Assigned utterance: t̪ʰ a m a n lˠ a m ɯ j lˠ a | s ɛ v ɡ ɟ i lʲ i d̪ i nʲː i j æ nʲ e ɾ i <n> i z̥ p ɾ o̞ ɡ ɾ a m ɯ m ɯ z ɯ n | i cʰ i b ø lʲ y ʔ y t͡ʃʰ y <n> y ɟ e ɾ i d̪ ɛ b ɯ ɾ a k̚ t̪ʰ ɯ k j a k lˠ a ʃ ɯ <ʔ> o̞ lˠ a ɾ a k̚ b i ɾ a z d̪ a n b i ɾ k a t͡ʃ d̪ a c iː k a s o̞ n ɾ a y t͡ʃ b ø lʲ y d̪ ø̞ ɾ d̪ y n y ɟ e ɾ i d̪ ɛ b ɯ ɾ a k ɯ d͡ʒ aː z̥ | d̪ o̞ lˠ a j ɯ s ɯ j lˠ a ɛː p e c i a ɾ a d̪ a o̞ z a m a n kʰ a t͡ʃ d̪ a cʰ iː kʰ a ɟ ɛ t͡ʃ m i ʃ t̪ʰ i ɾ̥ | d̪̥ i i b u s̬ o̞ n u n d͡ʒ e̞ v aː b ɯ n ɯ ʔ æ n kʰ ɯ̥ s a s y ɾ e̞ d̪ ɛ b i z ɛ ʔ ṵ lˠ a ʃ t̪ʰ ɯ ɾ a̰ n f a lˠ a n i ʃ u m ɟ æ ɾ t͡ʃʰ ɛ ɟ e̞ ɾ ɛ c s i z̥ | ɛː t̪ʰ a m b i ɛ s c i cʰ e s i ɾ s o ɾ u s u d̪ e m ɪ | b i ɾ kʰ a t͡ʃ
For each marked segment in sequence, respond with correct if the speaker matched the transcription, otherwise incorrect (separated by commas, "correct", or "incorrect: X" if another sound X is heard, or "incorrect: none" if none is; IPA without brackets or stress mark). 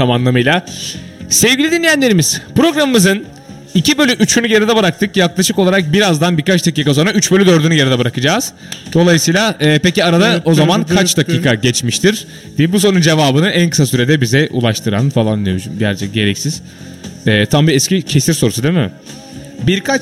incorrect: m, correct, incorrect: k